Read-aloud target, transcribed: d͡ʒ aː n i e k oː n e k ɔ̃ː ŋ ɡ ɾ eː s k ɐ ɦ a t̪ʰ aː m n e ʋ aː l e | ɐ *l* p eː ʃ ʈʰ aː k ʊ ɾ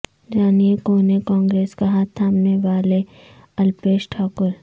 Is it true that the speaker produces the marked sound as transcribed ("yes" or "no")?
yes